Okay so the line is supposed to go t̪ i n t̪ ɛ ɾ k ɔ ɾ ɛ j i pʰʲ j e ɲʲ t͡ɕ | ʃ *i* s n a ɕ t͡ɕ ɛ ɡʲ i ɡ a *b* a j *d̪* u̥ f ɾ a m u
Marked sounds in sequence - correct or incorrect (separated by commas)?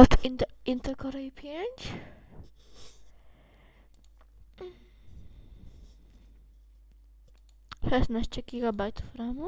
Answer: incorrect, correct, incorrect